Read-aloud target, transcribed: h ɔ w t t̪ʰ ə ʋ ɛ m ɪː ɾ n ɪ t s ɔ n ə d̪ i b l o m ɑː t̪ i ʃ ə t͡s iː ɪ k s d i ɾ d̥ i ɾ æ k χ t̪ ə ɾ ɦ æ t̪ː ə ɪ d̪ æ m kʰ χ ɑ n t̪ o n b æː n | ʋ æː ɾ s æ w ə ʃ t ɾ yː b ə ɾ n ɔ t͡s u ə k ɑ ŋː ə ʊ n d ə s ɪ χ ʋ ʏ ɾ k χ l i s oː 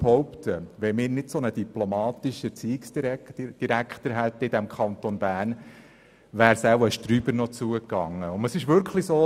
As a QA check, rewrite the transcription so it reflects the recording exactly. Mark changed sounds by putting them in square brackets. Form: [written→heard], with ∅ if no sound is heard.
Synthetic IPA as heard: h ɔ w [t→p] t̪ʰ ə ʋ ɛ m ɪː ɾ n ɪ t s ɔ n ə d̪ i [b→p] l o m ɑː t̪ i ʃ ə t͡s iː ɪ k s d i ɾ d̥ i ɾ æ k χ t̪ ə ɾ ɦ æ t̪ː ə ɪ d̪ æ m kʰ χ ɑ n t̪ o n b æː n | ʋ æː ɾ s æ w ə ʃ t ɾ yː b ə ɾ n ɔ t͡s u ə k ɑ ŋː ə ʊ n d ə s ɪ [χ→ʃ] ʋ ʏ ɾ k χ l i s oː